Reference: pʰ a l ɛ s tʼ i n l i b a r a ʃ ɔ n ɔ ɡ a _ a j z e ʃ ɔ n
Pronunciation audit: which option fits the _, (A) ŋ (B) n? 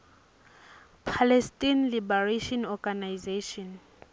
B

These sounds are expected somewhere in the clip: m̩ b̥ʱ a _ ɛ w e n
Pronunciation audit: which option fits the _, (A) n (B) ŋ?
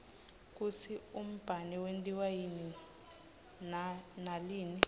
A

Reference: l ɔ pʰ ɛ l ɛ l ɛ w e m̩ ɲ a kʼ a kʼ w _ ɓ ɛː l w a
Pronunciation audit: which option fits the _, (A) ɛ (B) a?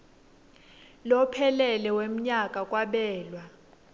B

